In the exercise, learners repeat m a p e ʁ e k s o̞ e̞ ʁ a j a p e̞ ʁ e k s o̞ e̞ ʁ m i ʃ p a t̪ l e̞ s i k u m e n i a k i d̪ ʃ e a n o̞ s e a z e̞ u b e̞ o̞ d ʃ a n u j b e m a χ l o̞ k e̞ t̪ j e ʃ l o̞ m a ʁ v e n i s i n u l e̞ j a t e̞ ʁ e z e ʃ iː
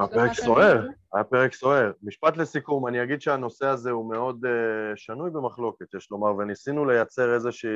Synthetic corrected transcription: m a p e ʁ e k s o̞ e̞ ʁ a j a p e̞ ʁ e k s o̞ e̞ ʁ m i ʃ p a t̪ l e̞ s i k u m a n i a ɡ i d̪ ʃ e a n o̞ s e a z e̞ u m e̞ o̞ d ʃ a n u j b e m a χ l o̞ k e̞ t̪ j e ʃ l o̞ m a ʁ v e n i s i n u l e̞ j a t͡s e̞ ʁ e z e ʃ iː